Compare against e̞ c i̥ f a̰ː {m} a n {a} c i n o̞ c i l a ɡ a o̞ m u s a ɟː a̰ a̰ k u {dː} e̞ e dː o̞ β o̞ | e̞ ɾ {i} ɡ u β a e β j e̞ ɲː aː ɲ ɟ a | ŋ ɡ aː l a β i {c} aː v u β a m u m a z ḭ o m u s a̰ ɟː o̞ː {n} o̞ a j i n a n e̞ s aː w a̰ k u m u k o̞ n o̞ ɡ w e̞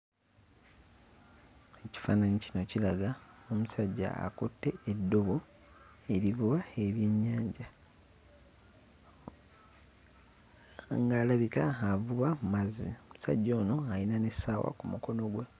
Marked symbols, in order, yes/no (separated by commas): no, no, no, yes, no, yes